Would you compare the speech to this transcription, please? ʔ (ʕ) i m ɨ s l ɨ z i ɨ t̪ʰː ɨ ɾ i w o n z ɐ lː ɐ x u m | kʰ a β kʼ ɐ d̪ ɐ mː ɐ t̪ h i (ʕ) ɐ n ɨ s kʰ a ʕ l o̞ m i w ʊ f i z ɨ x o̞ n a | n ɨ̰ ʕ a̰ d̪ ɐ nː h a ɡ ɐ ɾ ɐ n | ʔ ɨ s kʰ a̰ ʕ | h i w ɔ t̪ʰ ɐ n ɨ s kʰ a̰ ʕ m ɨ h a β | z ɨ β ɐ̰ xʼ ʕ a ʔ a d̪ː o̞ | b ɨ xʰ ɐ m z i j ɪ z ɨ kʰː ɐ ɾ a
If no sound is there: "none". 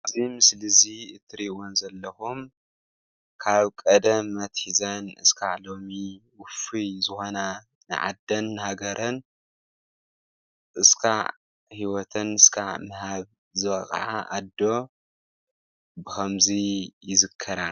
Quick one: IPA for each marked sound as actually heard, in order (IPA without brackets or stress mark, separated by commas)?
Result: z, z